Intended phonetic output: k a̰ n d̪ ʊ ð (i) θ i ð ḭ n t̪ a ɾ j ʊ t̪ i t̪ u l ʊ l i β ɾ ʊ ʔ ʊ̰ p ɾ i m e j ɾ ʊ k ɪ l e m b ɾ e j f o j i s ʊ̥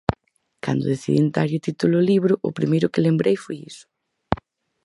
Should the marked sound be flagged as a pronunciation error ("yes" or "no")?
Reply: yes